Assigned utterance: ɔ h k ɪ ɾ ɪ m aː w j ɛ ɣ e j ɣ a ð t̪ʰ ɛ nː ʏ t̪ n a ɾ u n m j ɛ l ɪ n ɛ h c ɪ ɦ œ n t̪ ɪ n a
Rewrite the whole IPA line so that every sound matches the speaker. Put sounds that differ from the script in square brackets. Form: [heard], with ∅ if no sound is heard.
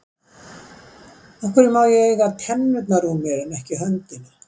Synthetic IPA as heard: ɔ h k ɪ ɾ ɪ m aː w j ɛ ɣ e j ɣ a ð t̪ʰ ɛ nː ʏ t̪ n a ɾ u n m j ɛ [ɾ] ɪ n ɛ h c ɪ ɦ œ n t̪ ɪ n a